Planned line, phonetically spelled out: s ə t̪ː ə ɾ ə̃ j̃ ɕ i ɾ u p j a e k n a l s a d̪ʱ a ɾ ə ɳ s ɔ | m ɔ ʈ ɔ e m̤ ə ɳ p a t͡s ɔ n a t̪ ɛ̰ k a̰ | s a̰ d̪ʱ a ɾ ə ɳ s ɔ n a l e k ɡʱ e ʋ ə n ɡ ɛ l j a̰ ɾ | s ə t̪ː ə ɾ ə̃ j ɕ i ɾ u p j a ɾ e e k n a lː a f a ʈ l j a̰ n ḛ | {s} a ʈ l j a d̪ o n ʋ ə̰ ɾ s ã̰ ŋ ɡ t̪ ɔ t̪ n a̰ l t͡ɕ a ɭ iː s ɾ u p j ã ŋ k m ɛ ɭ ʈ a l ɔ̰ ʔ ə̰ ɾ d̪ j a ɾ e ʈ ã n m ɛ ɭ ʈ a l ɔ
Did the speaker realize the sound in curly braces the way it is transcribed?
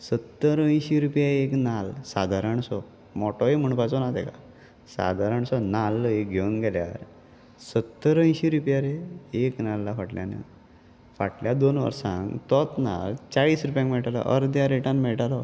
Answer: no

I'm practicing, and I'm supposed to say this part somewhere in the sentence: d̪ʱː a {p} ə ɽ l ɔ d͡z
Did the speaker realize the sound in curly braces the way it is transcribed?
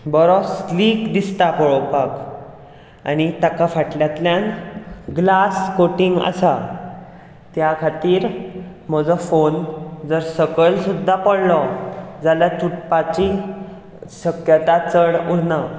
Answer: yes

